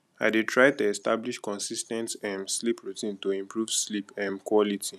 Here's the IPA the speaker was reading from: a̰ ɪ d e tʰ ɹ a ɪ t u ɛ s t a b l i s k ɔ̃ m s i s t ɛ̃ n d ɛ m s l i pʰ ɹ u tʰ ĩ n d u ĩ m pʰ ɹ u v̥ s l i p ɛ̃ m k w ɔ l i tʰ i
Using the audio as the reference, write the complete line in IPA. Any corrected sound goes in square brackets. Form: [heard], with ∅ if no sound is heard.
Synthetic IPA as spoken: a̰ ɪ d e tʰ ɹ a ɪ t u ɛ s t a b l i [ʃ] k ɔ̃ [n] s i s t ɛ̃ n [t] ɛ m s l i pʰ ɹ u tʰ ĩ n [t] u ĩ m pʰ ɹ u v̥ s l i p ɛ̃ m k w ɔ l i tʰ i